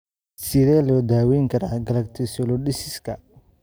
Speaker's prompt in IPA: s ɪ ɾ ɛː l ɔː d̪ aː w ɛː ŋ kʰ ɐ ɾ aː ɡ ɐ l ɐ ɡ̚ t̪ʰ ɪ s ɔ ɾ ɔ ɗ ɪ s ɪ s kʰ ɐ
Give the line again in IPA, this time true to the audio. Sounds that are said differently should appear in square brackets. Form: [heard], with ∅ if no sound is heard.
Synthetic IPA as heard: s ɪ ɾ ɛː l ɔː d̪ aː w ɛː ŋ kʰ ɐ ɾ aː ɡ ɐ l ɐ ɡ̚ t̪ʰ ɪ s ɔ [l] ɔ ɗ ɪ s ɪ s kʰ ɐ